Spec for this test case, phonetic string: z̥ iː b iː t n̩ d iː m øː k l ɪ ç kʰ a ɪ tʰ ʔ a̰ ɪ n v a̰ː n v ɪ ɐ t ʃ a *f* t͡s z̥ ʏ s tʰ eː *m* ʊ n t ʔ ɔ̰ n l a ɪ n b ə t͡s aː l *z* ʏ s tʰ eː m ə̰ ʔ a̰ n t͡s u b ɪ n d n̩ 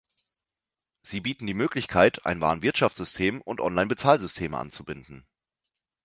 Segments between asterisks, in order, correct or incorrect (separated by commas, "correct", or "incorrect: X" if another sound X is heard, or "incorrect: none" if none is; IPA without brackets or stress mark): correct, correct, correct